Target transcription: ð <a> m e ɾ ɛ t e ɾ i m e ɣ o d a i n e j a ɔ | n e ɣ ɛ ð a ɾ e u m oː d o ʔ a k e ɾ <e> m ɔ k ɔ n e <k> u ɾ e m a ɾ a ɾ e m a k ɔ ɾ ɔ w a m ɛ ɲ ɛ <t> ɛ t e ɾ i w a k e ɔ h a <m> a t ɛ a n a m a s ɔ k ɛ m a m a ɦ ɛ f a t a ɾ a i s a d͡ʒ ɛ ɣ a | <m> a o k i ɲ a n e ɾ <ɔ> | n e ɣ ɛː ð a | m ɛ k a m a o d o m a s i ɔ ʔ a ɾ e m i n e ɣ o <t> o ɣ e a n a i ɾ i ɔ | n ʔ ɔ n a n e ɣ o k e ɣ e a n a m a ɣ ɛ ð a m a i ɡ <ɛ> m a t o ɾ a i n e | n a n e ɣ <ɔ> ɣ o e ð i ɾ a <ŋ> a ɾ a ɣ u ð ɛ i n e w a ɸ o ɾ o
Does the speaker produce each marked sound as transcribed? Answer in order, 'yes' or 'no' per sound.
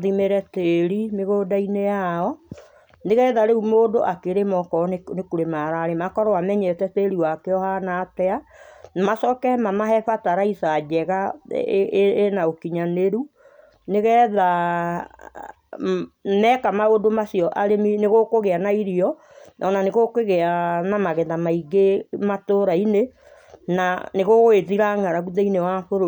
no, yes, yes, yes, no, no, no, no, no, no, yes

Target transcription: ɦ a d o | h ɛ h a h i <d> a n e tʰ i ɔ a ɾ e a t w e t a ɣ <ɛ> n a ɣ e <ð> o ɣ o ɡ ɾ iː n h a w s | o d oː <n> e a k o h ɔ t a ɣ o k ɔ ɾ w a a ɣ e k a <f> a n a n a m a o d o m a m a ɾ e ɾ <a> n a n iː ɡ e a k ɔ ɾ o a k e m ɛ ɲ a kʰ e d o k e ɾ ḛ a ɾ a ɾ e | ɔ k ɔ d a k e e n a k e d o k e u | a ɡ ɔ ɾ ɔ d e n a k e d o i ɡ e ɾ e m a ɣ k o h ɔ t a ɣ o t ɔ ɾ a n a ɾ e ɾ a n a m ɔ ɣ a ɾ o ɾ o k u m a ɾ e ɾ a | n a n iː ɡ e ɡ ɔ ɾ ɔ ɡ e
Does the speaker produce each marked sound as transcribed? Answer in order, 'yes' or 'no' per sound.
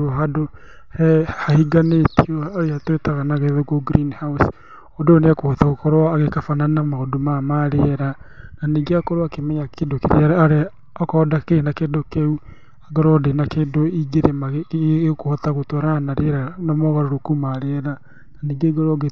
no, no, yes, yes, yes, yes

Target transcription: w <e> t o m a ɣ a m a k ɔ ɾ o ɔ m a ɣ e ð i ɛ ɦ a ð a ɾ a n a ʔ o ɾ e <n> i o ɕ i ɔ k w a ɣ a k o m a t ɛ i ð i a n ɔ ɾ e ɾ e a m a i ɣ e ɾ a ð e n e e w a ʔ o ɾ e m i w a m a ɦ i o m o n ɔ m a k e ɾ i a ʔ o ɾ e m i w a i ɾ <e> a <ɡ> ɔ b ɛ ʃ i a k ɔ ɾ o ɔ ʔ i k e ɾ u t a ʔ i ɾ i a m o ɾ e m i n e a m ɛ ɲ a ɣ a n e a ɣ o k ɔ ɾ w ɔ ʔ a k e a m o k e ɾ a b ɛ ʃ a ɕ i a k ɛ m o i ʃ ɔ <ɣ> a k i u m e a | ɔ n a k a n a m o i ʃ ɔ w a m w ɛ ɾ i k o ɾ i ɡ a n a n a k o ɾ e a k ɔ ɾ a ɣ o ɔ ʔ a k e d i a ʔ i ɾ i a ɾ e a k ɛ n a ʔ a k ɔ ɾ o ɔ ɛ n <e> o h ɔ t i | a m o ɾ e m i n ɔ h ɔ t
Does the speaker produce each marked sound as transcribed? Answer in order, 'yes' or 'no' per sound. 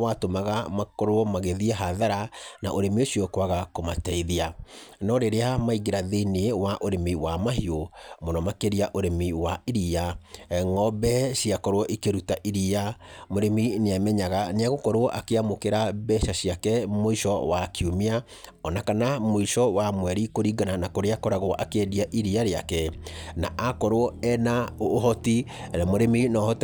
no, no, no, no, no, no

